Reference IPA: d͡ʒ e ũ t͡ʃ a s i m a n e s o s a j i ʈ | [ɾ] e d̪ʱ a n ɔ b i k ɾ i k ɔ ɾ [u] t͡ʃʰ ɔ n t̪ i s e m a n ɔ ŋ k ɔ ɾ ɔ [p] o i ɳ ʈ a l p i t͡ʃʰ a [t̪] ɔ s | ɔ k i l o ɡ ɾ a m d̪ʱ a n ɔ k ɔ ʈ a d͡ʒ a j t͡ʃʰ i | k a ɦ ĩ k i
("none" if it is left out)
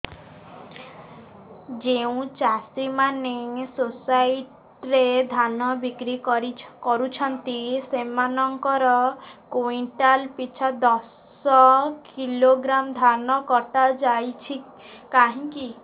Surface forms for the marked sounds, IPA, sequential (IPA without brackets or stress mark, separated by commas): ɾ, u, k, d̪